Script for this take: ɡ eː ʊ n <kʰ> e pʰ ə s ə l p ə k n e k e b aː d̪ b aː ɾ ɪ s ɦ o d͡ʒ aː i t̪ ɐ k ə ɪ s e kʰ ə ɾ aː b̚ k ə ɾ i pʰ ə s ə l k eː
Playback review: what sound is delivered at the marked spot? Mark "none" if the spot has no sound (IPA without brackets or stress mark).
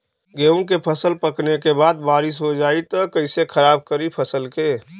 k